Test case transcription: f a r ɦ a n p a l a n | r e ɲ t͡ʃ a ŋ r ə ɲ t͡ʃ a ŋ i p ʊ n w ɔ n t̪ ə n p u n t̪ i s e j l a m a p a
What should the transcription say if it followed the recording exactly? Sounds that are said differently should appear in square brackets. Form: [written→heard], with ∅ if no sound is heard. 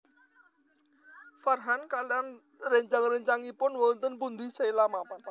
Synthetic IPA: f a r ɦ a n [p→k] a l a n | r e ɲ t͡ʃ a ŋ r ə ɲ t͡ʃ a ŋ i p ʊ n w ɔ n t̪ ə n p u n [t̪→d̪] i s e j l a m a p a